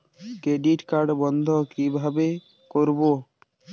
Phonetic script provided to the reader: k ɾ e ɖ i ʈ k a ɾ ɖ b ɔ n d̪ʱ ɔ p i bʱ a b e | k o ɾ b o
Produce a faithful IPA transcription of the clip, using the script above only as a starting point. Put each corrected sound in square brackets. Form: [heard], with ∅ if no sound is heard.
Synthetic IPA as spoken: k ɾ e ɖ i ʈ k a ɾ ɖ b ɔ n d̪ʱ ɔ [k] i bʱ a b e | k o ɾ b o